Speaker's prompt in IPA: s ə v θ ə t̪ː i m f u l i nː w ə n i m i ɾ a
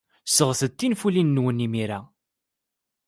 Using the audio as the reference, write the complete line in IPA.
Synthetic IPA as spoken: s ə ʁ θ ə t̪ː i n f u l i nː w ə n i m i ɾ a